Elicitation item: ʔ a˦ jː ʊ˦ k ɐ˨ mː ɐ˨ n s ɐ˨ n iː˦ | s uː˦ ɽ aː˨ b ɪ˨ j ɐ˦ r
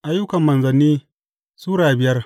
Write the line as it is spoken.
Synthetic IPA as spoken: ʔ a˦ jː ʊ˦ k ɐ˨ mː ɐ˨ n z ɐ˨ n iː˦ | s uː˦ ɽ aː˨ b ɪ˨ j ɐ˦ r